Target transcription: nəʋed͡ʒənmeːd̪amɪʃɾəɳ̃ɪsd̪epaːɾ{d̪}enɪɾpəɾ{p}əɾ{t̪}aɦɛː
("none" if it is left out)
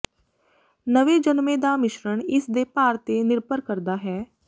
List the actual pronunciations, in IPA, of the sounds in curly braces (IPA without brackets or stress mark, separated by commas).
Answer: t̪, k, d̪